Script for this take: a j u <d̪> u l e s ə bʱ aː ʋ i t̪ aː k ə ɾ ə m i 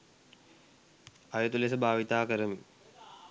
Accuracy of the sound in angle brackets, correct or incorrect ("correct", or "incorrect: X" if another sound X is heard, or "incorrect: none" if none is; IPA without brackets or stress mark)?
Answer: incorrect: t̪